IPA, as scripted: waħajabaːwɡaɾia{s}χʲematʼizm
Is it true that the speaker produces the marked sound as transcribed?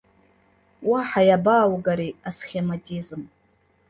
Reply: yes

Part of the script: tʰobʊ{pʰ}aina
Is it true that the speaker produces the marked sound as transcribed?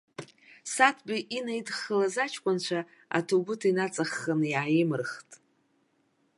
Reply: no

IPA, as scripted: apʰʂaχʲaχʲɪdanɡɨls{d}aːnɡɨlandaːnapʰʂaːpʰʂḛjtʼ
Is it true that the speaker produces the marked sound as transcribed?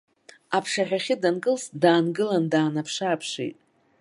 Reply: yes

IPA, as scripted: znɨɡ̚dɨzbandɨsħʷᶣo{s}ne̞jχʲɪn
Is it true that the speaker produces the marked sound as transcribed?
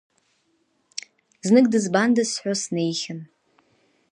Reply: yes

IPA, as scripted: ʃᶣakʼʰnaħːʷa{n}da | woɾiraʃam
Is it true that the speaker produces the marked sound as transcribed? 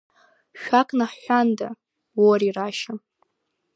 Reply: yes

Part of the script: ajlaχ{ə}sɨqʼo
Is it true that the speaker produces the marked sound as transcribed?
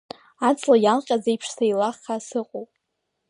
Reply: no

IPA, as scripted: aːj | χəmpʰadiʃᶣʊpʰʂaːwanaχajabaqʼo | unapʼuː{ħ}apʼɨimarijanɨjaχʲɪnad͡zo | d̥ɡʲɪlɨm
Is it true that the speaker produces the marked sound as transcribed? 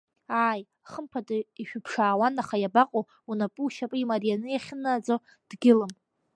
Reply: no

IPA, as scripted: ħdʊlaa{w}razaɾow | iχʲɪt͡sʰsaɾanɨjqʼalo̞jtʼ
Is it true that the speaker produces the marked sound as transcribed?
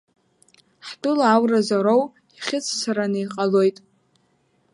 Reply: yes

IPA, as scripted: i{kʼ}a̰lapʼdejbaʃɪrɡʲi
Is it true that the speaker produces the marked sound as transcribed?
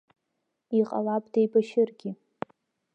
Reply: no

